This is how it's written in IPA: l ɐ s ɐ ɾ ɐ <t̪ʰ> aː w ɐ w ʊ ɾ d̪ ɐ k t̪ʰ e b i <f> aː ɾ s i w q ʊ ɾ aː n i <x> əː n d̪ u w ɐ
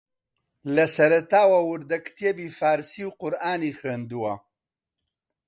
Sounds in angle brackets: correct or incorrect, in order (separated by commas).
incorrect, correct, correct